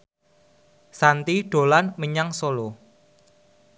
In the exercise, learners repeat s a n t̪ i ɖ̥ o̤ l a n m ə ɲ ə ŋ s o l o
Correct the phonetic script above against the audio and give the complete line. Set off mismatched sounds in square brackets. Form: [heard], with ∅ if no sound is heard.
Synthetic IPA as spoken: s a n t̪ i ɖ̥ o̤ l a n m ə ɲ [a] ŋ s o l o